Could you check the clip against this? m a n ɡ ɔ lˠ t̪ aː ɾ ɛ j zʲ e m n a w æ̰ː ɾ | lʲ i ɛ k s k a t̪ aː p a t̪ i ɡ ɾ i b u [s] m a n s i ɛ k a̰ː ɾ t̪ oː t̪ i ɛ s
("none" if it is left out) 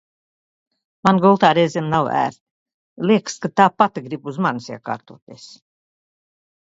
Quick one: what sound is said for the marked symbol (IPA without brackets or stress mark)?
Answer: z